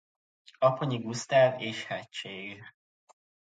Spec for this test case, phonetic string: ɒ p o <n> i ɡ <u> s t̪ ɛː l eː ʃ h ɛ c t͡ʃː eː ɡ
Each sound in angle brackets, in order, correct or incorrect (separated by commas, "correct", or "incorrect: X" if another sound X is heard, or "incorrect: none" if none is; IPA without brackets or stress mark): incorrect: ɲ, correct